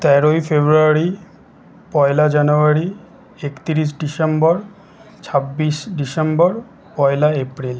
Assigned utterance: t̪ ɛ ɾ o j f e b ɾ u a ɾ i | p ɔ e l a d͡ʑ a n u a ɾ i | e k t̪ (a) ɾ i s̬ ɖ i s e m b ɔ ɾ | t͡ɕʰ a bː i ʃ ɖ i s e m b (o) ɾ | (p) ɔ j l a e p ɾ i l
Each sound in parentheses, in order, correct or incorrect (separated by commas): incorrect, incorrect, correct